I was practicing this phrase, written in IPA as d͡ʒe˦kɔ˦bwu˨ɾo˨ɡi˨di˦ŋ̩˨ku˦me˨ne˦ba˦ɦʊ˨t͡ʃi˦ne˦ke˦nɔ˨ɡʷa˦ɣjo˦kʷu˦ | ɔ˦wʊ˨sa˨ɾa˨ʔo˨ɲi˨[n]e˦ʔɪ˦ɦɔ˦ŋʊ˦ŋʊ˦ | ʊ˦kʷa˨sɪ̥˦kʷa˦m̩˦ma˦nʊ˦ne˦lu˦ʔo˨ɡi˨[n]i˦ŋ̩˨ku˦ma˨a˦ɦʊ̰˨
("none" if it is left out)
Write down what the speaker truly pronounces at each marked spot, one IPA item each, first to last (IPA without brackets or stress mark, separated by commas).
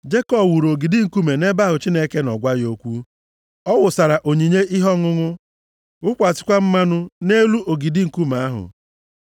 ɲ, d